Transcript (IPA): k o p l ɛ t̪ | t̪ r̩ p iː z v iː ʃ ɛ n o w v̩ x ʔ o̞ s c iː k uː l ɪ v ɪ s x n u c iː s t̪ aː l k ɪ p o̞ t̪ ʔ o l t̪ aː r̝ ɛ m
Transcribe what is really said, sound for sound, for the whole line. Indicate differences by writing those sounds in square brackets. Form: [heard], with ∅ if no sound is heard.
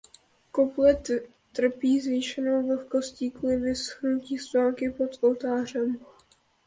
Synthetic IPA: k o p l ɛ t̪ | t̪ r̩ p iː z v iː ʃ ɛ n o w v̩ x [k] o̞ s c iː k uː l ɪ v ɪ s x n u c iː s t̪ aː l k ɪ p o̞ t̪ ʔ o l t̪ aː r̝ ɛ m